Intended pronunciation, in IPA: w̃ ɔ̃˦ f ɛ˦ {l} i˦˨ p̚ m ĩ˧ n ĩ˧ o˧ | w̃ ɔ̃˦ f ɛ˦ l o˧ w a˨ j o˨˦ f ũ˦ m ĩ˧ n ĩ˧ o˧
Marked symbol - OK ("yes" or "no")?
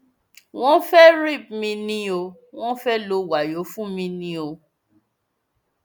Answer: no